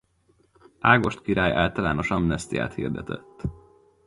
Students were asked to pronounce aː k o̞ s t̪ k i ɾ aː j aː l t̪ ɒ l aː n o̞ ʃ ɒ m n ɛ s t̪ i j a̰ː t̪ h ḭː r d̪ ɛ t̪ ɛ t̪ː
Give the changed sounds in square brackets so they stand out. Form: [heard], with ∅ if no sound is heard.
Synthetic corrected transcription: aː [ɡ] o̞ [ʃ] t̪ k i ɾ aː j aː l t̪ ɒ l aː n o̞ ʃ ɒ m n ɛ s t̪ i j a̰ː t̪ h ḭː r d̪ ɛ t̪ ɛ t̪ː

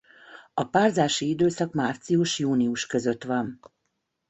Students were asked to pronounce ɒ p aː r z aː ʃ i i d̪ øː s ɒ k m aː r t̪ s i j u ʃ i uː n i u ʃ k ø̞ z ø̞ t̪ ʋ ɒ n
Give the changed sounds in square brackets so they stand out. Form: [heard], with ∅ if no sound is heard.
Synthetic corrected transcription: ɒ p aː r z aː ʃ i i d̪ øː s ɒ k m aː r t̪ s i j u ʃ [j] uː n i u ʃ k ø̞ z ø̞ t̪ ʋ ɒ n

